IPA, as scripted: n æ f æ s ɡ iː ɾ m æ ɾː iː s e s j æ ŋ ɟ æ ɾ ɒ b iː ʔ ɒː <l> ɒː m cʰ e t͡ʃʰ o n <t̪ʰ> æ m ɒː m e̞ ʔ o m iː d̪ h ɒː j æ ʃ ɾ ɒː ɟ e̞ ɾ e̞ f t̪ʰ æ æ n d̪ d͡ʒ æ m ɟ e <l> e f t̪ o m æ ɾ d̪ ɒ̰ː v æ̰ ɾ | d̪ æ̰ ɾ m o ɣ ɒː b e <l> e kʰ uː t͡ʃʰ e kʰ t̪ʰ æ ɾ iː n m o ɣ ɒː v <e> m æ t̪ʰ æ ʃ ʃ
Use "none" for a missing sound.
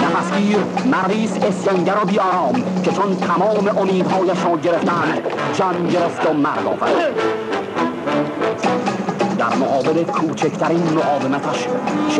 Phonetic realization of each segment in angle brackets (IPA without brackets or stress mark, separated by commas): ɾ, t̪ʰ, ɾ, l, e